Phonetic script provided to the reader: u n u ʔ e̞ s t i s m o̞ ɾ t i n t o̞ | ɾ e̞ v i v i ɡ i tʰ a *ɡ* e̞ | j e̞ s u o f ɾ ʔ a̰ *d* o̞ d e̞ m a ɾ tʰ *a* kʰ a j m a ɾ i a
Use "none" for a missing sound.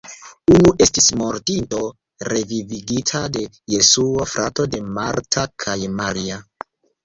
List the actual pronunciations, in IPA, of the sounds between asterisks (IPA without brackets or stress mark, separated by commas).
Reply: d, t, a